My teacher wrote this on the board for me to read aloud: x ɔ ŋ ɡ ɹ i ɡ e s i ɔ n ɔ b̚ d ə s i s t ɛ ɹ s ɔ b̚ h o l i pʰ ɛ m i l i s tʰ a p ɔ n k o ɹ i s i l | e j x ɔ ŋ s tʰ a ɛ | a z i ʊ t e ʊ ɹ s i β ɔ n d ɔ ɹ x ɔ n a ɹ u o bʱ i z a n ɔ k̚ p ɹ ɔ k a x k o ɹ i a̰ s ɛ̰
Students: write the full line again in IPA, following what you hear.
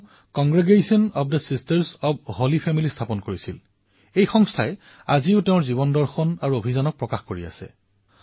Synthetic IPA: k ɔ ŋ ɡ ɹ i ɡ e s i ɔ n ɔ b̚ d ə s i s t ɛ ɹ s ɔ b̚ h o l i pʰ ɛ m i l i s tʰ a p ɔ n k o ɹ i s i l | e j x ɔ ŋ s tʰ a ɛ | a z i ʊ t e ʊ ɹ z i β ɔ n d ɔ ɹ x ɔ n a ɹ u o bʱ i z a n ɔ k̚ p ɹ ɔ k a x k o ɹ i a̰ s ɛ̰